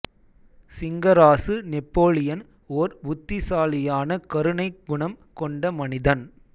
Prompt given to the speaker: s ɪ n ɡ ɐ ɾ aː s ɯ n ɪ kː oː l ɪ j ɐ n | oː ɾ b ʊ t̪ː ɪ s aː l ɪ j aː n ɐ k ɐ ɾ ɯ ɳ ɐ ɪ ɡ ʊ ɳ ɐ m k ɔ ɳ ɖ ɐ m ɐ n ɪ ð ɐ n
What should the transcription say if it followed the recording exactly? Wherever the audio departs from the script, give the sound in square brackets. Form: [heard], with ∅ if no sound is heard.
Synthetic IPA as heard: s ɪ [ŋ] ɡ ɐ ɾ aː s ɯ n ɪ [pː] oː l ɪ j ɐ n | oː ɾ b ʊ t̪ː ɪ s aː l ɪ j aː n ɐ k ɐ ɾ ɯ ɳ ɐ ɪ ɡ ʊ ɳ ɐ m k ɔ ɳ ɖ ɐ m ɐ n ɪ ð ɐ n